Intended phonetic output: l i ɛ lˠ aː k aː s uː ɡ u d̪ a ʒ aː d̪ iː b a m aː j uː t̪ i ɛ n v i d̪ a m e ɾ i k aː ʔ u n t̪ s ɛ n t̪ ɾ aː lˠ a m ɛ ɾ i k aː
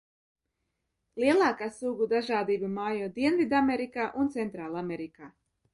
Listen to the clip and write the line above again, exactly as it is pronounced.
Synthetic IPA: l i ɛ lˠ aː k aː s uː ɡ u d̪ a ʒ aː d̪ iː b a m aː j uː d̪ i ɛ n v i d̪ a m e ɾ i k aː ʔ u n t̪ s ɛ n t̪ ɾ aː lˠ a m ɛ ɾ i k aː

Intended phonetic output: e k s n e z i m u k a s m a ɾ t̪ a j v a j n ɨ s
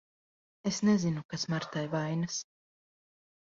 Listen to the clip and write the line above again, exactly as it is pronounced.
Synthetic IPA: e s n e z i n u k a s m a ɾ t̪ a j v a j n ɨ s

